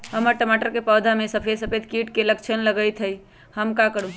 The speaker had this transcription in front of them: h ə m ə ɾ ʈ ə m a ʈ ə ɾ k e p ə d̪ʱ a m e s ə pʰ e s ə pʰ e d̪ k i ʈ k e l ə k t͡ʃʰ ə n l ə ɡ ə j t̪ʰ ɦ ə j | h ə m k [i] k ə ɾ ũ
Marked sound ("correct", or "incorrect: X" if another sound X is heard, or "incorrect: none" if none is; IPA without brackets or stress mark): incorrect: a